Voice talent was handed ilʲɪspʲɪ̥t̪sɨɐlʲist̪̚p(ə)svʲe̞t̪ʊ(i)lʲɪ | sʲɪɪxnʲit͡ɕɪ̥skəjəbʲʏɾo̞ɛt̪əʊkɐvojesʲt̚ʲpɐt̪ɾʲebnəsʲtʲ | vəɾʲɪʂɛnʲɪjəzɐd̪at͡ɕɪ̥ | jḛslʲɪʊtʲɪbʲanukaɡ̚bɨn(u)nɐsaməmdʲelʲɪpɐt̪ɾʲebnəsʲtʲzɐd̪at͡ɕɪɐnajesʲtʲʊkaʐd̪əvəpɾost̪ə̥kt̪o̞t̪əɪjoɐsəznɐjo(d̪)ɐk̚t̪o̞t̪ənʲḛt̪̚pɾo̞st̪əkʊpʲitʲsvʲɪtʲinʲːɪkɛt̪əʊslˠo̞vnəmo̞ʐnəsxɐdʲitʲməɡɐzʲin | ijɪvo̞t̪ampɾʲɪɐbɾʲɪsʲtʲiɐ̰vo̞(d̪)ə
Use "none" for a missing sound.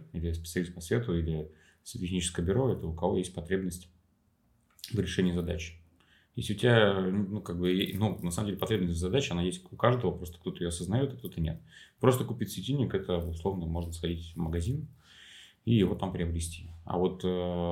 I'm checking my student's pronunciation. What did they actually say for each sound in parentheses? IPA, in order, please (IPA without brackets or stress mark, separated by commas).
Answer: ɐ, i, u, t̪, t̪